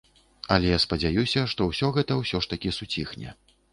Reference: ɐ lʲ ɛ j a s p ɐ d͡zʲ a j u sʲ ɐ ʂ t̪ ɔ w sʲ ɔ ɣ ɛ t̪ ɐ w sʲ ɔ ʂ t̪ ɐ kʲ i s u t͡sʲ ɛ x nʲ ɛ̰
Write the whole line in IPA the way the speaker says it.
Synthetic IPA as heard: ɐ lʲ ɛ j a s p ɐ d͡zʲ a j u sʲ ɐ ʂ t̪ ɔ w sʲ ɔ ɣ ɛ t̪ ɐ w sʲ ɔ ʂ t̪ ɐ kʲ i s u t͡sʲ i x nʲ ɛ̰